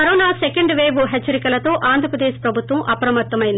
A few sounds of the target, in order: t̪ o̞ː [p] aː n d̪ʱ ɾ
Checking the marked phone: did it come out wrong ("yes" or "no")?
yes